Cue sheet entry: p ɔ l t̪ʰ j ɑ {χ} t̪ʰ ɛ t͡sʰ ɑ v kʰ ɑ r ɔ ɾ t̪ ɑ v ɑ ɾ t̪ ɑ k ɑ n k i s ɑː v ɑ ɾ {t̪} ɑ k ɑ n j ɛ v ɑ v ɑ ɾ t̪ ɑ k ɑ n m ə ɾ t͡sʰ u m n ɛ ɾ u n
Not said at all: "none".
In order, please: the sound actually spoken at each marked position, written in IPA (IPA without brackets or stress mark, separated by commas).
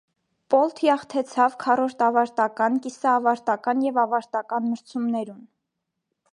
χ, t̪